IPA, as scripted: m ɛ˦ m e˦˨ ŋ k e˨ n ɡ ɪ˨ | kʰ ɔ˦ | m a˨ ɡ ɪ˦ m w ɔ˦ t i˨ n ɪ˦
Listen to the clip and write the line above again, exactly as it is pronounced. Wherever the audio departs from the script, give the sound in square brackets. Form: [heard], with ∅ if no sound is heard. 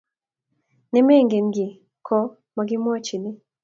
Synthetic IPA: [n] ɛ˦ m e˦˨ ŋ [ɡ] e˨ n ɡ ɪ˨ | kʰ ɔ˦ | m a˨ ɡ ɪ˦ m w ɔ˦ [t͡ʃ] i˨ n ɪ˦